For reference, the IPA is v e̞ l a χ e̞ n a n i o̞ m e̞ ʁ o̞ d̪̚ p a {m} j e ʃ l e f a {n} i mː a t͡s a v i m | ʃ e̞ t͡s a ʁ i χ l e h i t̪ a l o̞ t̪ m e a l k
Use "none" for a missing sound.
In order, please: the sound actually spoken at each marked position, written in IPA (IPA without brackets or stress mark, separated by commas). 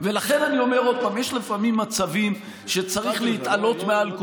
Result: m, m